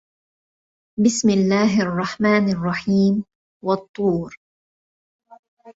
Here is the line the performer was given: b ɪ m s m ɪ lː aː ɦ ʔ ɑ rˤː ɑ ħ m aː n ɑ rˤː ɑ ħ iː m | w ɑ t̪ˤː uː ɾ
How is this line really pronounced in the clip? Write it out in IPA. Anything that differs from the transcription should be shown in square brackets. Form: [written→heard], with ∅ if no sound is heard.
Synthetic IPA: b ɪ [m→∅] s m ɪ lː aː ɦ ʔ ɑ rˤː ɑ ħ m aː n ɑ rˤː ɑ ħ iː m | w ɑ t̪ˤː uː ɾ